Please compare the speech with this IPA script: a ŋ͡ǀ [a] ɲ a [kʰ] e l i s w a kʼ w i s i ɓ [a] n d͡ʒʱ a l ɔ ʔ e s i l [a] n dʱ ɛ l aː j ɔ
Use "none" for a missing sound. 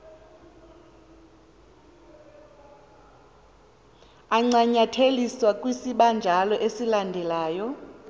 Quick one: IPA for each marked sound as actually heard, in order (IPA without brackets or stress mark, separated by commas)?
a, tʰ, a, a